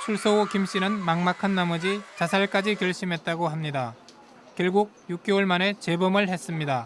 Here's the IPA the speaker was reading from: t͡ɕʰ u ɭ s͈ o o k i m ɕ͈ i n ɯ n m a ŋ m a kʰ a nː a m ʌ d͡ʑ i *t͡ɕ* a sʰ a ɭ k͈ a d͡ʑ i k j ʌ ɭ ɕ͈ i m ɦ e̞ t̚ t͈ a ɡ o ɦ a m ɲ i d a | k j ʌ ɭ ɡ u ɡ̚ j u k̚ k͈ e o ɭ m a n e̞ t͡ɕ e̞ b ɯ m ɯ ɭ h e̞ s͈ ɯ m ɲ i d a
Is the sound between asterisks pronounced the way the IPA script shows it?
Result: yes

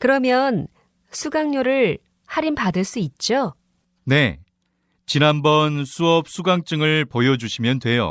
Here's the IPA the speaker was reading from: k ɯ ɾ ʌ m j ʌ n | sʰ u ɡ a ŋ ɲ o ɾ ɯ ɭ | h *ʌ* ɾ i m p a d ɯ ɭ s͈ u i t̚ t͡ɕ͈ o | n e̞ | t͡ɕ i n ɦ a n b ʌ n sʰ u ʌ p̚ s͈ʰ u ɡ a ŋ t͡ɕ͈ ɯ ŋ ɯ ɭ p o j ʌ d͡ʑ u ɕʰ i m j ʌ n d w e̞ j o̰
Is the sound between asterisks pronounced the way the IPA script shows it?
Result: no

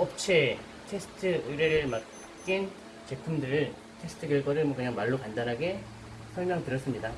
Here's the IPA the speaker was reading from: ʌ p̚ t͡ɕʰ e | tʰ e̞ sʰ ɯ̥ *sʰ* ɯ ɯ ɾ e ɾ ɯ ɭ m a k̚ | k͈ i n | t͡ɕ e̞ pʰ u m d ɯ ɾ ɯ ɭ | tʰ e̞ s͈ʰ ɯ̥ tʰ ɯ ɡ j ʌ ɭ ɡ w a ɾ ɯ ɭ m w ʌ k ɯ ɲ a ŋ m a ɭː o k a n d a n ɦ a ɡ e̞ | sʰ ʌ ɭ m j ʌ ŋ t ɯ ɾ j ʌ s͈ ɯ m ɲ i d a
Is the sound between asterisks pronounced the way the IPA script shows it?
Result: no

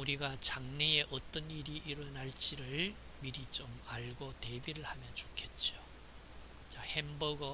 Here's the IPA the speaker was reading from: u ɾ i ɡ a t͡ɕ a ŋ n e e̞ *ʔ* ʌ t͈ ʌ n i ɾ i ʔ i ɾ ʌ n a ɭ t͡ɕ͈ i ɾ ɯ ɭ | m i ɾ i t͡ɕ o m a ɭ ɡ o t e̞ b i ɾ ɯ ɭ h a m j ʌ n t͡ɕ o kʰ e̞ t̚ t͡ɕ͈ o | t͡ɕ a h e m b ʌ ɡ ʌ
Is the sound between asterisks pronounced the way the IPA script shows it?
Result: yes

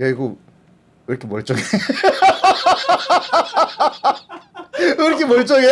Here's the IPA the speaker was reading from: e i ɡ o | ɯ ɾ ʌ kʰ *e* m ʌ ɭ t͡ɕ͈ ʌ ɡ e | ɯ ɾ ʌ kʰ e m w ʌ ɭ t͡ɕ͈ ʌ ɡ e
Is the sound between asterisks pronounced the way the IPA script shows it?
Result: yes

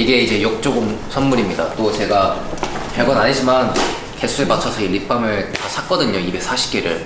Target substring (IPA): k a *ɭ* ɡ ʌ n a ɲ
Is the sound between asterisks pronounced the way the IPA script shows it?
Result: yes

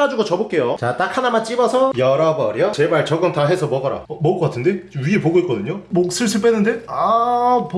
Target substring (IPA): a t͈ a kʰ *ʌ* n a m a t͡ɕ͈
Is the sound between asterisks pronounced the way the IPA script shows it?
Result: no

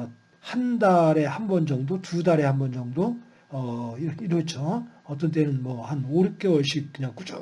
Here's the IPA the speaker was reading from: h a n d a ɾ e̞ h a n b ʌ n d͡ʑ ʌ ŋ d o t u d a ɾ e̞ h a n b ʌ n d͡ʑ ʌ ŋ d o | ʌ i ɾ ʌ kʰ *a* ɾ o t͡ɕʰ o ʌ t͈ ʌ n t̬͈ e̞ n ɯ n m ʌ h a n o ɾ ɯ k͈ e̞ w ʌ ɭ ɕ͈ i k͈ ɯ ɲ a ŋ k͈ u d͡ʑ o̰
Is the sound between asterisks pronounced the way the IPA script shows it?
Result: no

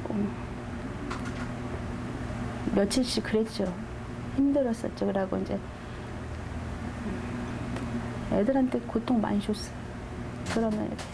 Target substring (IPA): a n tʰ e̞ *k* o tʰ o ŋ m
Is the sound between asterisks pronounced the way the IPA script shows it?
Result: yes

